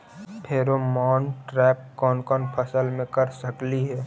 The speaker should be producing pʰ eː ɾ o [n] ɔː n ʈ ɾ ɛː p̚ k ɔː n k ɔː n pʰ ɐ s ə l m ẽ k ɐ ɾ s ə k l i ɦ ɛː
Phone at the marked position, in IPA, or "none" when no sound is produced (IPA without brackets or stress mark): m